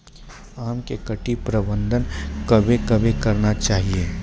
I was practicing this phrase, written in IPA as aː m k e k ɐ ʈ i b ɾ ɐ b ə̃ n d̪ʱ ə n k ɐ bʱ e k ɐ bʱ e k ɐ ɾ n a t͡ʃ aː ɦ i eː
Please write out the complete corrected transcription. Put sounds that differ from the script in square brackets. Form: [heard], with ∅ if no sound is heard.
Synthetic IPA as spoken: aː m k e k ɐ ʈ i [p] ɾ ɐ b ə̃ n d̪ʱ ə n k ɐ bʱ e k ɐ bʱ e k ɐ ɾ n a t͡ʃ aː ɦ i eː